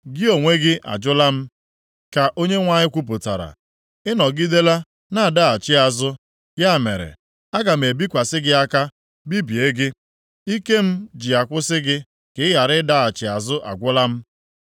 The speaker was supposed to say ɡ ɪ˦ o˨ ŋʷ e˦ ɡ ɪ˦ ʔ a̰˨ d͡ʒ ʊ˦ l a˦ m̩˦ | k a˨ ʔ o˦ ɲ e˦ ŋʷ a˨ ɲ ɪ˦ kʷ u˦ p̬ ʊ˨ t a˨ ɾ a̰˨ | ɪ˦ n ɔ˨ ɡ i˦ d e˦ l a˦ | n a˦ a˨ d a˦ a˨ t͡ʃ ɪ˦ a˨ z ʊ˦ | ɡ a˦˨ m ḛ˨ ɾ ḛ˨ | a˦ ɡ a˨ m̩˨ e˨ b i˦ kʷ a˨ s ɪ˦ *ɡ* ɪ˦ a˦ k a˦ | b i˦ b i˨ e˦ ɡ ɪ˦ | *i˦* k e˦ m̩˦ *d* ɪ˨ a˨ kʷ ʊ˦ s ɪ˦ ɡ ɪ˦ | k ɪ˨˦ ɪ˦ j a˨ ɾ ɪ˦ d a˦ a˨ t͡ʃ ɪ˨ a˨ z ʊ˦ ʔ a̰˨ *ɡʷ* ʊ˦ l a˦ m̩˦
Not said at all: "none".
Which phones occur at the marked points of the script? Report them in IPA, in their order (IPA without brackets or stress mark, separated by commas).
ɡ, i˦, d͡ʒ, ɡʷ